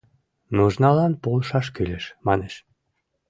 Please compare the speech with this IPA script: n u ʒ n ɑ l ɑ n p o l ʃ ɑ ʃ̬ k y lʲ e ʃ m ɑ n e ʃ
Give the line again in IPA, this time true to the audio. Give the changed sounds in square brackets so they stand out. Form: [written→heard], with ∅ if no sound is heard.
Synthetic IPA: n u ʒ n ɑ l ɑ n p o l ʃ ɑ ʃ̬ k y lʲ e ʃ m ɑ n e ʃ